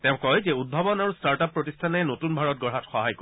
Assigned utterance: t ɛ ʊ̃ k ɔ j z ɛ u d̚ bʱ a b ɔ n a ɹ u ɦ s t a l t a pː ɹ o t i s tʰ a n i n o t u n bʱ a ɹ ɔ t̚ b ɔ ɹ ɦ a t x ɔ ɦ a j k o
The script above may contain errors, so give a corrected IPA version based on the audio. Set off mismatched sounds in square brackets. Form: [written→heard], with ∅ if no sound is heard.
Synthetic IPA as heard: t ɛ ʊ̃ k ɔ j z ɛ u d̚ bʱ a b ɔ n a ɹ u [ɦ→∅] s t a [l→ɹ] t a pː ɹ o t i s tʰ a n [i→ɛ] n o t u n bʱ a ɹ ɔ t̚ [b→ɡ] ɔ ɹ ɦ a t x ɔ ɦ a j k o